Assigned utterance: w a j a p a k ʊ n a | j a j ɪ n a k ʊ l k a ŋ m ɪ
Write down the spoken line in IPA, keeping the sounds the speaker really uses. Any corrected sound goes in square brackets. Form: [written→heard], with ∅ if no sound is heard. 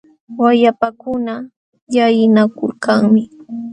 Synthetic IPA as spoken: w a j a p a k ʊ n a | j a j ɪ n a k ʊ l k a ŋ m ɪ